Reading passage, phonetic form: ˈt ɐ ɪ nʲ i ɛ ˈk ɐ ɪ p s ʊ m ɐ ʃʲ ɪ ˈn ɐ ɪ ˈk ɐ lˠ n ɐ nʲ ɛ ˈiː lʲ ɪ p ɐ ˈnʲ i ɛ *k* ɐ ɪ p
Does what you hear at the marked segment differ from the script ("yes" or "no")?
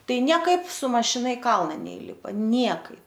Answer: no